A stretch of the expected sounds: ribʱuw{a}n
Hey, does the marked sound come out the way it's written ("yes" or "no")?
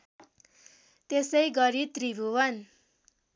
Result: no